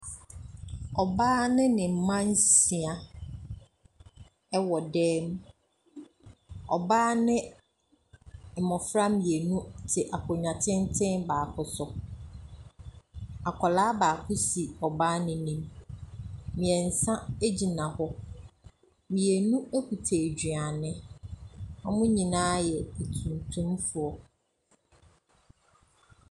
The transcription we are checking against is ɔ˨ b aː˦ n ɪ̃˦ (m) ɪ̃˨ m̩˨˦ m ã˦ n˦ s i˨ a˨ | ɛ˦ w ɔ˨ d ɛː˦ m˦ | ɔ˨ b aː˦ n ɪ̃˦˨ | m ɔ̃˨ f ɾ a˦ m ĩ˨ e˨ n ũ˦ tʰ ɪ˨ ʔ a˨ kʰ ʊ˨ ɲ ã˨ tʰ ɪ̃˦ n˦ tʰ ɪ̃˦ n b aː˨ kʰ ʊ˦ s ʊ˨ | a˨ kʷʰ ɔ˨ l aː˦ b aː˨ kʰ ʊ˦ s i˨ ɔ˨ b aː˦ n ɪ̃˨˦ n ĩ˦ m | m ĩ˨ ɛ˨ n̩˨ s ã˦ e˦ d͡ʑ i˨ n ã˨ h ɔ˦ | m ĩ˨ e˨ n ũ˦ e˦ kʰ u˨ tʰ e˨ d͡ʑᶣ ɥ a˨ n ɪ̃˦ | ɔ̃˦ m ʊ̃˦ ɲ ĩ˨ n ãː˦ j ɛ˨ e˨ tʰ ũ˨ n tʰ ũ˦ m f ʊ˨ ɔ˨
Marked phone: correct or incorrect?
incorrect: n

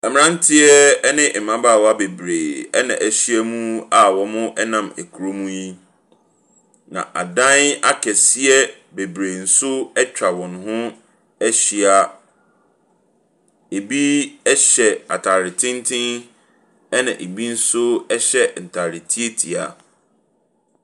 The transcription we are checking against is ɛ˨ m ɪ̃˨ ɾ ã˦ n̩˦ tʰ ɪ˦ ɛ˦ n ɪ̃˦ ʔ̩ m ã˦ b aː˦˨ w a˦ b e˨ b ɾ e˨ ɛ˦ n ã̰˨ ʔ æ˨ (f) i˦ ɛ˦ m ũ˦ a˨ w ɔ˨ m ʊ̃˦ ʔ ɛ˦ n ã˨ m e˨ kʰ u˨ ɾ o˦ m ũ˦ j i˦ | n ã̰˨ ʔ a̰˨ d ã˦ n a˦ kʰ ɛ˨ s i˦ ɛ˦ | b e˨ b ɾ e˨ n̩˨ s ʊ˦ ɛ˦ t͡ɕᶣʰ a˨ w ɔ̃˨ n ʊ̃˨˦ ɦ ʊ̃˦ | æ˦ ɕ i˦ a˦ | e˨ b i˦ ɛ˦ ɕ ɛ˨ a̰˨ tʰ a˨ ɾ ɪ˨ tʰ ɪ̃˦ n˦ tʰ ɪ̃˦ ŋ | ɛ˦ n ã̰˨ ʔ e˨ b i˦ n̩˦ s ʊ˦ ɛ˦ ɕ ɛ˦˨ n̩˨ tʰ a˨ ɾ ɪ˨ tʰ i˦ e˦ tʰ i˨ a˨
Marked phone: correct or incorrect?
incorrect: ɕ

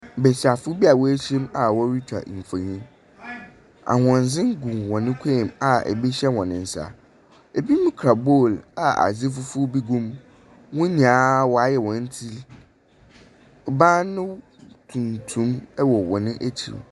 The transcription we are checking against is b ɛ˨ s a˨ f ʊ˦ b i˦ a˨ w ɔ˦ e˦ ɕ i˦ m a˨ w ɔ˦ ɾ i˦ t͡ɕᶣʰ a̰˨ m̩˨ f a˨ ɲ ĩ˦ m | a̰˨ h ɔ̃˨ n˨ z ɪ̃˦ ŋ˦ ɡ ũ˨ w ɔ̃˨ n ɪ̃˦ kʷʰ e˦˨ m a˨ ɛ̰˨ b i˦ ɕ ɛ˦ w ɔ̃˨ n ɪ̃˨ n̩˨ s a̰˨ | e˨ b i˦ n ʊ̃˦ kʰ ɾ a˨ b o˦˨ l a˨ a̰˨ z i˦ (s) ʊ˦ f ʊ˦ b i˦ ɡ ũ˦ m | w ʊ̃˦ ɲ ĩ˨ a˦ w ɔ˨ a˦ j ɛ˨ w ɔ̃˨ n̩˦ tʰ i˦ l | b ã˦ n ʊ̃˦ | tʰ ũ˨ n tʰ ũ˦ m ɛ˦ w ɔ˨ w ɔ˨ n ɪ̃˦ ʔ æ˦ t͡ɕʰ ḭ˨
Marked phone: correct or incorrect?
incorrect: f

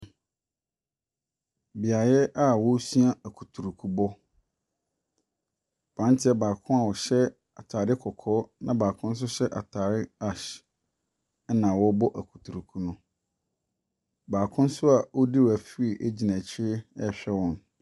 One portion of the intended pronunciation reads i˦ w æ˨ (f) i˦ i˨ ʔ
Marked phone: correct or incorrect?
correct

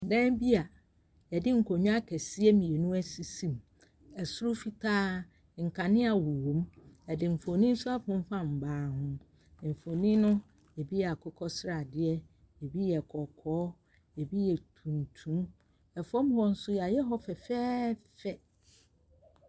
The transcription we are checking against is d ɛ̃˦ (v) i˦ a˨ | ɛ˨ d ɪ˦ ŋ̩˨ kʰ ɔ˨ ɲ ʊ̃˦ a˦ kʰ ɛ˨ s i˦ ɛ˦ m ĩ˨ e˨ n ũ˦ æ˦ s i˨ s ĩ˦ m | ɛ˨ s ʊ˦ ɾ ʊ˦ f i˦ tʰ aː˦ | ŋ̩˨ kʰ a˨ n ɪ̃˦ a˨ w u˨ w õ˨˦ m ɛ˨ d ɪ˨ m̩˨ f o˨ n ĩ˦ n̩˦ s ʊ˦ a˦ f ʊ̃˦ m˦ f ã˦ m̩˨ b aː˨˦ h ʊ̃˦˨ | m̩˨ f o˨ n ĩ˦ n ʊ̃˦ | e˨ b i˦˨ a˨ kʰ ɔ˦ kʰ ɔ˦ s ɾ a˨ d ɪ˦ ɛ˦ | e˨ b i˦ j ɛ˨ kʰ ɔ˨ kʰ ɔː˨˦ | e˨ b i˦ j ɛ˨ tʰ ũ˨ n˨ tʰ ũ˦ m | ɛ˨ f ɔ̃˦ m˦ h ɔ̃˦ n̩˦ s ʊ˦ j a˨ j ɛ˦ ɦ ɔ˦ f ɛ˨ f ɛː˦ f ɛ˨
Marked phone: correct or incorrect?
incorrect: b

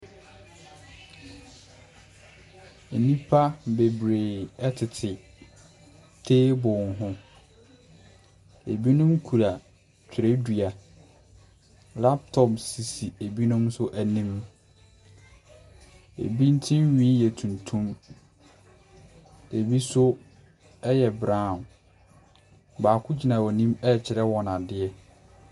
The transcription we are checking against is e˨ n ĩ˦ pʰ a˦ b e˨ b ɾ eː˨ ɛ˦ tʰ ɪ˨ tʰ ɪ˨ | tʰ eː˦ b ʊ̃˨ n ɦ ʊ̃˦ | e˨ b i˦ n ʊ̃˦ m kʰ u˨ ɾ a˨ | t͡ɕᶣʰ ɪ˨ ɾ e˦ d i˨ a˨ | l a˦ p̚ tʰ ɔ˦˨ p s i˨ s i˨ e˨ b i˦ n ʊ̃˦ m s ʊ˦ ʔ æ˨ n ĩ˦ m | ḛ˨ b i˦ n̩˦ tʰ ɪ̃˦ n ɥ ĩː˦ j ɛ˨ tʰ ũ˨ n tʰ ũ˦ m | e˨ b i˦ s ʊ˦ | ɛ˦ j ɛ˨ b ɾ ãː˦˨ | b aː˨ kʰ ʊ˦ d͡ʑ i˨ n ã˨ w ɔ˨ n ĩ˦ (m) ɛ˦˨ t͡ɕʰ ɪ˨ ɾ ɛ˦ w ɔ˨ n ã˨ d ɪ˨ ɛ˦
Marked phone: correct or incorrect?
correct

